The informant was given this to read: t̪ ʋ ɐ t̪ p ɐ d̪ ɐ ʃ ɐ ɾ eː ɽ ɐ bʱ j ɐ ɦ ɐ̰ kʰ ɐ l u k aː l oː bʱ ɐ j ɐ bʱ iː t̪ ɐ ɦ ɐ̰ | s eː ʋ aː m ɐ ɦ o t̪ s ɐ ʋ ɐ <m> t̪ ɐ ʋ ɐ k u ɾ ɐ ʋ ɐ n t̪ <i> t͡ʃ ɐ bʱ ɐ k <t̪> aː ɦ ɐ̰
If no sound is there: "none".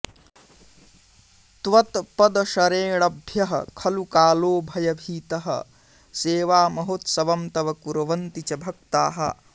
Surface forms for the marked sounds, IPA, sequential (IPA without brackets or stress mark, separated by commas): m, i, t̪